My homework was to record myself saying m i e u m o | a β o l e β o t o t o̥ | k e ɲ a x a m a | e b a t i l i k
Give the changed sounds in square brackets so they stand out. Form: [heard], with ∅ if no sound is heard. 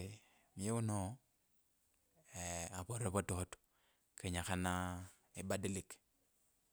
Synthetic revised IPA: m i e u [n] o | a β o [ɾ] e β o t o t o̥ | k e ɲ a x a [n] a | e b a [d] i l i k